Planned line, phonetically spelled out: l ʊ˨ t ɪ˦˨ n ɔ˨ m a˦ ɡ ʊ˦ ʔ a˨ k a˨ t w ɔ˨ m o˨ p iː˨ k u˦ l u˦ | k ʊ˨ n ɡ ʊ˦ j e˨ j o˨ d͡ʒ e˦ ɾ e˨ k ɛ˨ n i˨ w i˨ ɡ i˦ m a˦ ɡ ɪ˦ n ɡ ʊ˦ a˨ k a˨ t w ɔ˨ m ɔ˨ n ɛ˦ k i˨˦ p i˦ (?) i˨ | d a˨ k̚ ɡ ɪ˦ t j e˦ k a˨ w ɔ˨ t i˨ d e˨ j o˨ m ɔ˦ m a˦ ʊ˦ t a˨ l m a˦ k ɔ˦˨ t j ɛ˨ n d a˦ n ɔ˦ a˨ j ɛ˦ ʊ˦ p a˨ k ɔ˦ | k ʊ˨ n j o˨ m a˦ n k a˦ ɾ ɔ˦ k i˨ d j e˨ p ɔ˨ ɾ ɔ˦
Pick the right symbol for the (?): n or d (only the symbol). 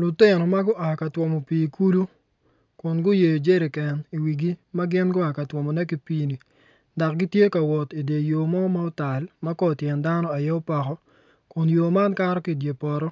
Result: n